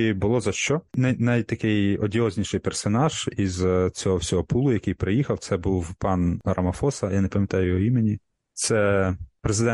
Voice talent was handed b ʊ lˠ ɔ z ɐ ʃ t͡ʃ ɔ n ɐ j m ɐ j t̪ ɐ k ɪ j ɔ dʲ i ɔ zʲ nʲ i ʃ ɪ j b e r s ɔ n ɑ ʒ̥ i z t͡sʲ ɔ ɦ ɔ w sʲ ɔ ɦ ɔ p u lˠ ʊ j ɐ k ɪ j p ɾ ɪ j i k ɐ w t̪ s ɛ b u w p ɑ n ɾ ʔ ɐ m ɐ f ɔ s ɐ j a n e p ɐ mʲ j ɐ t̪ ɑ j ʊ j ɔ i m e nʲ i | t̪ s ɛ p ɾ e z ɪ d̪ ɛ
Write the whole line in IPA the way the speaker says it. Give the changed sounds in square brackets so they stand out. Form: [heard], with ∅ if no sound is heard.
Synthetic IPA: b ʊ lˠ ɔ z ɐ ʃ t͡ʃ ɔ n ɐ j [n] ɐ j t̪ ɐ k ɪ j ɔ dʲ i ɔ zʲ nʲ i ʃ ɪ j [p] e r s ɔ n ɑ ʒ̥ i z t͡sʲ ɔ ɦ ɔ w sʲ ɔ ɦ ɔ p u lˠ ʊ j ɐ k ɪ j p ɾ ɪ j i [x] ɐ w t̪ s ɛ b u w p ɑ n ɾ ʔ ɐ m ɐ f ɔ s ɐ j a n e p ɐ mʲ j ɐ t̪ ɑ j ʊ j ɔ i m e nʲ i | t̪ s ɛ p ɾ e z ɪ d̪ ɛ